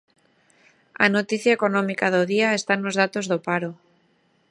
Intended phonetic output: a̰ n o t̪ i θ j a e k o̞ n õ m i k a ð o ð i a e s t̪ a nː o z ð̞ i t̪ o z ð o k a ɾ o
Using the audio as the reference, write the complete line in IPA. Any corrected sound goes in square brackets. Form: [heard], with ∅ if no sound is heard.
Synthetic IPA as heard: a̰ n o t̪ i θ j a e k o̞ n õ m i k a ð o ð i a e s t̪ a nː o z ð̞ [a] t̪ o z ð o [p] a ɾ o